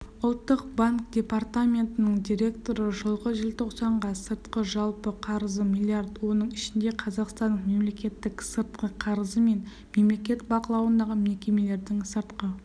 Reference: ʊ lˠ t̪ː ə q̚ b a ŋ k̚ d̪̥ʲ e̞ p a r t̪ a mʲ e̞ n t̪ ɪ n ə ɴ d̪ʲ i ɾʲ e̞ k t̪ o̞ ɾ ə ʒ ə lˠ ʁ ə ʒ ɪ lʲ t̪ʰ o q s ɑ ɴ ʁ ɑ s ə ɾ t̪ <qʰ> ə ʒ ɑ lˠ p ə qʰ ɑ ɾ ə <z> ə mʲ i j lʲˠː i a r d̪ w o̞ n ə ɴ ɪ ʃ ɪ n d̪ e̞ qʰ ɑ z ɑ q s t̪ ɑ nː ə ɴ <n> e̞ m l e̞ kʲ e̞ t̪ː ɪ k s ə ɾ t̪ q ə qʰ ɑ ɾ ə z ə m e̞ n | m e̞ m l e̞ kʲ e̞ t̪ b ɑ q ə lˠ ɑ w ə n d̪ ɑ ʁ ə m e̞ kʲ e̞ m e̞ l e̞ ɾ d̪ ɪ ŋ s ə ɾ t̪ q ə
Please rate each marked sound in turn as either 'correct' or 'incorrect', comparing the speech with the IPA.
incorrect: q, correct, incorrect: m

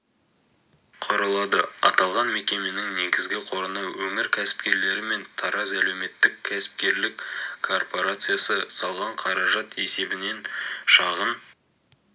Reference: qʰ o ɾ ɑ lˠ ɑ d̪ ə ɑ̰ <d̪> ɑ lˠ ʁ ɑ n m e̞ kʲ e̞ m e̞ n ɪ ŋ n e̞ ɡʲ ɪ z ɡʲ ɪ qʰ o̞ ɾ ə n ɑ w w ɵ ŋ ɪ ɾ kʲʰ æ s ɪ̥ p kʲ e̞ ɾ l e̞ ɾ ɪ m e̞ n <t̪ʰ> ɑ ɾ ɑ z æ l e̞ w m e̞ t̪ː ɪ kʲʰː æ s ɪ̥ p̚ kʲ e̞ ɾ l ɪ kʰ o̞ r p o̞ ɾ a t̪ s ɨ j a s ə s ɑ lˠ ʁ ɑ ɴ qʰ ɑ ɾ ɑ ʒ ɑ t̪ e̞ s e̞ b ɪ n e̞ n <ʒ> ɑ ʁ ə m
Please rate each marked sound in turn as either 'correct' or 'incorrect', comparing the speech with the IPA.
incorrect: t̪, correct, incorrect: ʃ

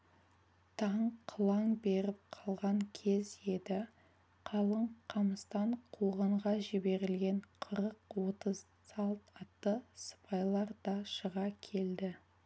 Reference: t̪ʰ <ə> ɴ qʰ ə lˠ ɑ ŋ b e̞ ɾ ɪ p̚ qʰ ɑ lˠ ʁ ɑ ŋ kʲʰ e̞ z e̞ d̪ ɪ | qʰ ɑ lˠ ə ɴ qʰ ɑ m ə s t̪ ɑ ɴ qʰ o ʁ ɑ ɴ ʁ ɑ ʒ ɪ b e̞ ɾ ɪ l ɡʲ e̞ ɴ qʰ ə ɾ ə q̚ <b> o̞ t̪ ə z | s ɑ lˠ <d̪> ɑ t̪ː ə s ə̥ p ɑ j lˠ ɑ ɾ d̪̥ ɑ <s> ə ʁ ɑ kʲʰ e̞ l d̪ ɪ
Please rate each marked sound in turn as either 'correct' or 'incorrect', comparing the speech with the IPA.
incorrect: ɑ, incorrect: w, incorrect: t̪, incorrect: ʃ

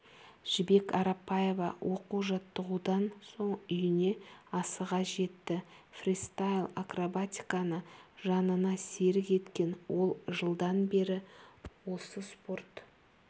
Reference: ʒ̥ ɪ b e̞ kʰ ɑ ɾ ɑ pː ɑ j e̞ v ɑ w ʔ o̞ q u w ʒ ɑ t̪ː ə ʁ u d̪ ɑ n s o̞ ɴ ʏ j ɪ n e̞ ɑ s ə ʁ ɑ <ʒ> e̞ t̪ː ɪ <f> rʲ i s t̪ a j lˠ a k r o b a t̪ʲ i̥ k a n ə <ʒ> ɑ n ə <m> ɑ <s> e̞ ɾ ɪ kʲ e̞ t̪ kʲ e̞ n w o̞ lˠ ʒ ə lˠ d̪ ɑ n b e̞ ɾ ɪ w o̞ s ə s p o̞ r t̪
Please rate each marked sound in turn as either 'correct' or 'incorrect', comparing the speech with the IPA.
correct, correct, correct, incorrect: n, correct

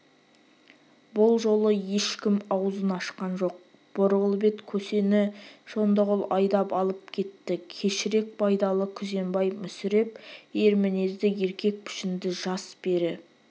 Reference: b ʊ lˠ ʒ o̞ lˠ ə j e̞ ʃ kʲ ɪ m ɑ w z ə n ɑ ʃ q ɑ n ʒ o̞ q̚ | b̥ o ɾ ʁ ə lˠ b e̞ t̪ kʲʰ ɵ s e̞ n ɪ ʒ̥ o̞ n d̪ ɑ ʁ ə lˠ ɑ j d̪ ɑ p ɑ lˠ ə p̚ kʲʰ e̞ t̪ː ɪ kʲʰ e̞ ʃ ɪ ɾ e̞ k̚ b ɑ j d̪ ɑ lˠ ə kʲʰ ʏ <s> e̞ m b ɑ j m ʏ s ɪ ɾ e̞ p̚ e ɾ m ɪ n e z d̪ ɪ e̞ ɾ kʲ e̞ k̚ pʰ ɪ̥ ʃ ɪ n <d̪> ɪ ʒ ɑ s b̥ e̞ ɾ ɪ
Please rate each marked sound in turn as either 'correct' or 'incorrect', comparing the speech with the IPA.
incorrect: z, correct

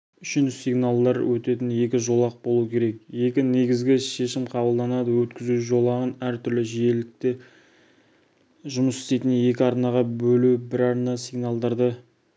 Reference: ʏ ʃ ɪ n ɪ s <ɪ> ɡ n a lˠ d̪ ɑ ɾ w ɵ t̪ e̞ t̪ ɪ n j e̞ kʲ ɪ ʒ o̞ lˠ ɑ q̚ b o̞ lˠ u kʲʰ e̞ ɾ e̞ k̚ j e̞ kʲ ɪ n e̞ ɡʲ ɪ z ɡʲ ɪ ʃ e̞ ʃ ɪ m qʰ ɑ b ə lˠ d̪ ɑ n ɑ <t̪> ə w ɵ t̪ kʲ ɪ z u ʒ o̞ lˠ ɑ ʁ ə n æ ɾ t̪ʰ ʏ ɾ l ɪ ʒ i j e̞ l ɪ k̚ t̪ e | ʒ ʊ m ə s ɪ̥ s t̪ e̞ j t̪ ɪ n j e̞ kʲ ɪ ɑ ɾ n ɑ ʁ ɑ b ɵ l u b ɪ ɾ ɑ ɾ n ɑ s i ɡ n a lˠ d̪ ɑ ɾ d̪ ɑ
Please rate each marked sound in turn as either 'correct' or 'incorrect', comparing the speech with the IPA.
incorrect: i, incorrect: d̪

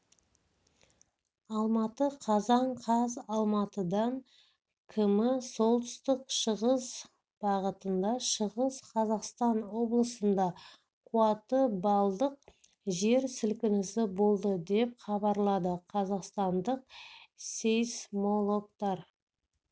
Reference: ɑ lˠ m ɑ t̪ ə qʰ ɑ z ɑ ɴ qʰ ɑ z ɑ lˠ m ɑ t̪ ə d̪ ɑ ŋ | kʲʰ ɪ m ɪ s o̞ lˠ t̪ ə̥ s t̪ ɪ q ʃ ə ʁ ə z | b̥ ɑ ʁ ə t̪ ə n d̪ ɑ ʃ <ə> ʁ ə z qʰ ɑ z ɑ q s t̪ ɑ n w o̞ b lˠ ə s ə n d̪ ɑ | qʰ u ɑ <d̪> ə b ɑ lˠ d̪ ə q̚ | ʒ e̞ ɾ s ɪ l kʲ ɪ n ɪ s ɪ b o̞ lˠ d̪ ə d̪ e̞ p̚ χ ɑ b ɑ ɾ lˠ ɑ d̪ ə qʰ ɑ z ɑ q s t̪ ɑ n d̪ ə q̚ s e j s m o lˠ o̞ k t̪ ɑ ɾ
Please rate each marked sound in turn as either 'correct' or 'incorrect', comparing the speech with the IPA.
correct, incorrect: t̪

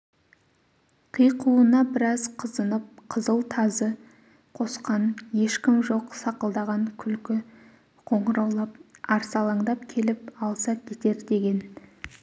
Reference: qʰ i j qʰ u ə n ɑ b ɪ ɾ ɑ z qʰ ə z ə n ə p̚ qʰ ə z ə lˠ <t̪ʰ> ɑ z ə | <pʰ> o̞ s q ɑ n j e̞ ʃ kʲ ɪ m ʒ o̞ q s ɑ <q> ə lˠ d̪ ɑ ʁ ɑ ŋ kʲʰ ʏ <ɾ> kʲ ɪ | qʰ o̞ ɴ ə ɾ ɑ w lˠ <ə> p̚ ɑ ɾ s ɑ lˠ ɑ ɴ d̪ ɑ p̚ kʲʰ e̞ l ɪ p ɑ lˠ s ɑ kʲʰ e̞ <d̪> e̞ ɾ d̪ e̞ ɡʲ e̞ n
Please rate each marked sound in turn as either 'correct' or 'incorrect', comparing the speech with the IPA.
correct, incorrect: qʰ, correct, incorrect: l, incorrect: ɑ, incorrect: t̪

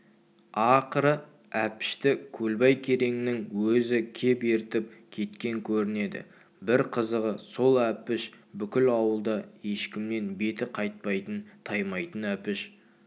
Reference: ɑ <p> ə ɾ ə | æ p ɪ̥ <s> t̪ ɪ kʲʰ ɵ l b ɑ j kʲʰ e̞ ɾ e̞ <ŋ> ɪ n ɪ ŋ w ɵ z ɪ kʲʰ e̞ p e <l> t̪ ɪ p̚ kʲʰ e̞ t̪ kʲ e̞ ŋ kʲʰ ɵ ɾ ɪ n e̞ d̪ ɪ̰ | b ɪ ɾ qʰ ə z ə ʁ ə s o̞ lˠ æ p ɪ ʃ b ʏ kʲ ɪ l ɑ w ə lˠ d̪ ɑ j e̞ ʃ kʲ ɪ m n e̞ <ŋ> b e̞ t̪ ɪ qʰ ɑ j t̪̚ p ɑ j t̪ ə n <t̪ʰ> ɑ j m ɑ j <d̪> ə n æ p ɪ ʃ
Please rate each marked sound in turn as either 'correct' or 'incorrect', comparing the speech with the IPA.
incorrect: q, incorrect: ʃ, correct, incorrect: ɾ, incorrect: n, correct, incorrect: t̪

